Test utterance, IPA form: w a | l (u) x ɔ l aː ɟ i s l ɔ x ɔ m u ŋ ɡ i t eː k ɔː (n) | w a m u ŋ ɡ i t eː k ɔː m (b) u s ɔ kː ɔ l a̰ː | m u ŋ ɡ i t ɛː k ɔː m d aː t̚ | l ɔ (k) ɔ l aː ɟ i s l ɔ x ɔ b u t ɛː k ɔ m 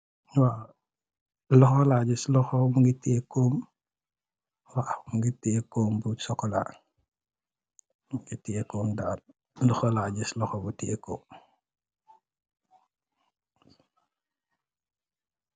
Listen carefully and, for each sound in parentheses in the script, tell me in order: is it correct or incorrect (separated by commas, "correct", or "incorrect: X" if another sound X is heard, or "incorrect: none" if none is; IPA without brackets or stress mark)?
incorrect: ɔ, incorrect: m, correct, incorrect: x